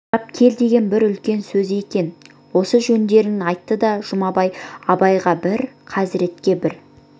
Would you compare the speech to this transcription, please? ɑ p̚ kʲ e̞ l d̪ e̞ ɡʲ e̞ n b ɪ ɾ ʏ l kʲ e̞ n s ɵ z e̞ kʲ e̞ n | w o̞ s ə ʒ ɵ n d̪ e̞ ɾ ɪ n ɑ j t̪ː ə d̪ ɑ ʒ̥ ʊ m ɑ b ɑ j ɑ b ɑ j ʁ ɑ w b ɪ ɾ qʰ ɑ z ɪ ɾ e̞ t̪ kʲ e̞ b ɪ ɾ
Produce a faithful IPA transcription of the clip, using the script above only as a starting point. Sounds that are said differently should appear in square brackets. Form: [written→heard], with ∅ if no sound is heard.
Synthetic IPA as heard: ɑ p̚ [kʲ→kʲʰ] e̞ l d̪ e̞ ɡʲ e̞ n b ɪ ɾ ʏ l kʲ e̞ n s ɵ z e̞ kʲ e̞ n | w o̞ s ə ʒ ɵ n d̪ e̞ ɾ ɪ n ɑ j t̪ː ə d̪ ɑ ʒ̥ ʊ m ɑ b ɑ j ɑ b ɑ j ʁ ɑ [w→∅] b ɪ ɾ qʰ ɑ z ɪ ɾ e̞ t̪ kʲ e̞ b ɪ ɾ

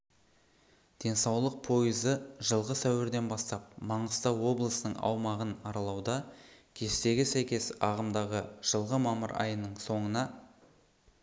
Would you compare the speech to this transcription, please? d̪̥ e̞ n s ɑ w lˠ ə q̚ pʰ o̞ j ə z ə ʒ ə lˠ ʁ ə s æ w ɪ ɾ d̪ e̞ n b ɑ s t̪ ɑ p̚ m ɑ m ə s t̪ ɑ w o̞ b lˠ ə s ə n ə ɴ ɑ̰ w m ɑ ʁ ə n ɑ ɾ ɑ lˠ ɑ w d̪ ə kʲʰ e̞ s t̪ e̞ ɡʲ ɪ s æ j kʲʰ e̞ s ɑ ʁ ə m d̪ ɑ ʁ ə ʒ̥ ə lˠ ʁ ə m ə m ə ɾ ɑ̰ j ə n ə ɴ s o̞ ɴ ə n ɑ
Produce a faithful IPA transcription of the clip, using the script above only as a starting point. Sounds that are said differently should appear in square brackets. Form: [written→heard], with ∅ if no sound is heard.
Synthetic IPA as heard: d̪̥ e̞ n s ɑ w lˠ ə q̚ pʰ o̞ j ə z ə ʒ ə lˠ ʁ ə s æ w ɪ ɾ d̪ e̞ n b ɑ s t̪ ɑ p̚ m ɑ [m→ɴ] ə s t̪ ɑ w o̞ b lˠ ə s ə n ə ɴ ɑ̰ w m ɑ ʁ ə n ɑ ɾ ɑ lˠ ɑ w d̪ [ə→ɑ] kʲʰ e̞ s t̪ e̞ ɡʲ ɪ s æ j [kʲʰ→kʲ] e̞ s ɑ ʁ ə m d̪ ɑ ʁ ə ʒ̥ ə lˠ ʁ ə m [ə→ɑ] m ə ɾ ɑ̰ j ə n ə ɴ s o̞ ɴ ə n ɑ

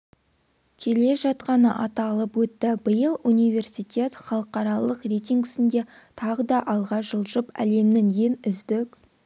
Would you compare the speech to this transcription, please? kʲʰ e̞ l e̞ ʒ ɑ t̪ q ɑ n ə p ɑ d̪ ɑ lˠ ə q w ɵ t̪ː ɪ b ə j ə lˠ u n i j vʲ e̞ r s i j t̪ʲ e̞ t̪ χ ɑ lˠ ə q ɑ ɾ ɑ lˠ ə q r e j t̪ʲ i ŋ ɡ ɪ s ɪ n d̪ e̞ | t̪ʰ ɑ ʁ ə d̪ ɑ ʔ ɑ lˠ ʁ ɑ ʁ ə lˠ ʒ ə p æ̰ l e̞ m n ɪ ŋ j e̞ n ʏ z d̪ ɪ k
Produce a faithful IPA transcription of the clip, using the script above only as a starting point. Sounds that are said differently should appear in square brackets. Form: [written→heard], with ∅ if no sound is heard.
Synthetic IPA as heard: kʲʰ e̞ l e̞ ʒ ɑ t̪ q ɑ n ə [p→ʔ] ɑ [d̪→t̪] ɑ lˠ ə [q→p] w ɵ t̪ː ɪ b ə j ə lˠ u n i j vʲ e̞ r s i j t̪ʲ e̞ t̪ χ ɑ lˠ ə q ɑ ɾ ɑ lˠ ə q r e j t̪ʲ i ŋ ɡ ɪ s ɪ n d̪ e̞ | t̪ʰ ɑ ʁ ə d̪ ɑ ʔ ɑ lˠ ʁ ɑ [ʁ→ʒ] ə lˠ ʒ ə p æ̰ l e̞ m n ɪ ŋ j e̞ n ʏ z d̪ ɪ k

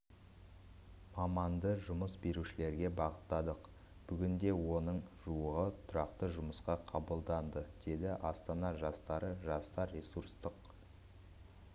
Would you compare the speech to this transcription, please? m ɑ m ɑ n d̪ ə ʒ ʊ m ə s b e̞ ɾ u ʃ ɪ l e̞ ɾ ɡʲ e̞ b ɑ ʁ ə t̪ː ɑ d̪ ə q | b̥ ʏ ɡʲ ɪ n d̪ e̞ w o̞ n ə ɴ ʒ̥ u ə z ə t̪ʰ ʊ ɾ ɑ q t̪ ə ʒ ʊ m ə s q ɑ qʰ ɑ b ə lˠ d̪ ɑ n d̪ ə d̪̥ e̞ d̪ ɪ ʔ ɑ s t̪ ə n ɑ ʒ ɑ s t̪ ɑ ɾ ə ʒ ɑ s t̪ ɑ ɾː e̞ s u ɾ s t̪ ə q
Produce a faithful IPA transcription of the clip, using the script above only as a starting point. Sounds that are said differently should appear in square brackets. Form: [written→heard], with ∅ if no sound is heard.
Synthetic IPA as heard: m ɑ m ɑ n d̪ ə ʒ ʊ m ə s b e̞ ɾ u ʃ ɪ l e̞ ɾ ɡʲ e̞ b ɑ ʁ ə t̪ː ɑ d̪ ə q | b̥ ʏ ɡʲ ɪ n d̪ e̞ w o̞ n ə ɴ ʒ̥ u ə [z→ʁ] ə t̪ʰ ʊ ɾ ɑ q t̪ ə ʒ ʊ m ə s q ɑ qʰ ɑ b ə lˠ d̪ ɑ n d̪ ə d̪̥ e̞ d̪ ɪ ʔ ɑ s t̪ [ə→ɑ] n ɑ ʒ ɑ s t̪ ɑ ɾ ə ʒ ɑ s t̪ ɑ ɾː e̞ s u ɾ s t̪ ə q

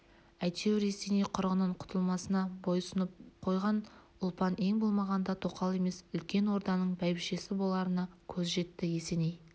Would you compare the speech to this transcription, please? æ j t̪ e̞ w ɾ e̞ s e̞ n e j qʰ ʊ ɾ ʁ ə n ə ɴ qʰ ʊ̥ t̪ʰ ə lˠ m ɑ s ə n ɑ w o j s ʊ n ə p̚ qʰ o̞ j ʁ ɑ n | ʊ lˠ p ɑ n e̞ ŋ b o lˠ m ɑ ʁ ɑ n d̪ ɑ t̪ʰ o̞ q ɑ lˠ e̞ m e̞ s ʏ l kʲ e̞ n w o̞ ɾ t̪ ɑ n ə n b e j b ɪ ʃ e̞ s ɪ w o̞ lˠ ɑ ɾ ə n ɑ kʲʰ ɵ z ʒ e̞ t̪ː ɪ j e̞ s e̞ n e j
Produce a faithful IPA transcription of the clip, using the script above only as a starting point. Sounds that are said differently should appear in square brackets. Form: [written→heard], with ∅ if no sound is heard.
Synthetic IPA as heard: æ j t̪ e̞ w ɾ e̞ s e̞ n e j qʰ ʊ ɾ ʁ ə n ə ɴ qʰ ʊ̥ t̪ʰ ə lˠ m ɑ s ə n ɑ [w→b] o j s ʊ n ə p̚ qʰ o̞ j ʁ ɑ n | ʊ lˠ p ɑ n e̞ ŋ b o lˠ m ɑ ʁ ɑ n d̪ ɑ t̪ʰ o̞ q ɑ lˠ e̞ m e̞ s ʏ l kʲ e̞ n w o̞ ɾ [t̪→d̪] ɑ n ə [n→ɴ] b [e→æ] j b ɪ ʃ e̞ s ɪ [w→b] o̞ lˠ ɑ ɾ ə n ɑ kʲʰ ɵ z ʒ e̞ t̪ː ɪ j e̞ s e̞ n e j

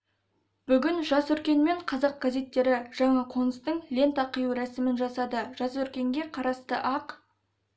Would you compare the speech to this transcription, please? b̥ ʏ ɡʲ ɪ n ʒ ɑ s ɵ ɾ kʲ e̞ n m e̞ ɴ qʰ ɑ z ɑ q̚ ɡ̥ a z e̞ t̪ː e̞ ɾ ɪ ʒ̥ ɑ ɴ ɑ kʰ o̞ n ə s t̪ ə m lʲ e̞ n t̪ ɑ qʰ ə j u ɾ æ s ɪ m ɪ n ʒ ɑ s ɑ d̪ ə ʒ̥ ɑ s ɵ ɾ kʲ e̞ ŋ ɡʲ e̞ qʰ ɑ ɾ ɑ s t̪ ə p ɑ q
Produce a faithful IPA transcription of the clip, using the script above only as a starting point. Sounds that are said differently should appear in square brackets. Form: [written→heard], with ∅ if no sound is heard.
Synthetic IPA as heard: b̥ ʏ ɡʲ ɪ n ʒ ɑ s ɵ ɾ kʲ e̞ n m e̞ ɴ qʰ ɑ z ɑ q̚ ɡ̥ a z e̞ t̪ː e̞ ɾ ɪ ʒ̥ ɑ ɴ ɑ [kʰ→qʰ] o̞ n ə s t̪ ə [m→ɴ] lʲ e̞ n t̪ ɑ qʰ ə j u ɾ æ s ɪ m ɪ n ʒ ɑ s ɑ d̪ ə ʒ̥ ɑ s ɵ ɾ kʲ e̞ ŋ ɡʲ e̞ qʰ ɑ ɾ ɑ s t̪ ə [p→ʔ] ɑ q

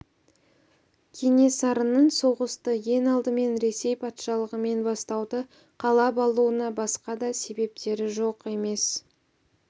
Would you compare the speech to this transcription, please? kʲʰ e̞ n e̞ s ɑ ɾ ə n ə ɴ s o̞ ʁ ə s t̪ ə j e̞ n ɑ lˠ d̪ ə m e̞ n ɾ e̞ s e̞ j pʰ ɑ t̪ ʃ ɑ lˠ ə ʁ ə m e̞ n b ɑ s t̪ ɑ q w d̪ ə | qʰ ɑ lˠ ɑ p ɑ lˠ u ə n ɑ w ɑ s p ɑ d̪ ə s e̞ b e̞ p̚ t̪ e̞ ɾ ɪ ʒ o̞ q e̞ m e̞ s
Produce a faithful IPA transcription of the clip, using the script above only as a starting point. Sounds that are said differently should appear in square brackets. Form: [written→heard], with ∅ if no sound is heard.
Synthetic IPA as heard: kʲʰ e̞ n e̞ s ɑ ɾ ə n ə ɴ s o̞ ʁ ə s t̪ ə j e̞ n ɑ lˠ d̪ ə m e̞ n ɾ e̞ s e̞ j pʰ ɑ t̪ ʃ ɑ lˠ ə ʁ ə m e̞ n b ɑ s t̪ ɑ [q→∅] w d̪ ə | qʰ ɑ lˠ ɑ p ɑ lˠ u ə n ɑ [w→b] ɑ s [p→q] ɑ d̪ [ə→ɑ] s e̞ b e̞ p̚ t̪ e̞ ɾ ɪ ʒ o̞ q e̞ m e̞ s

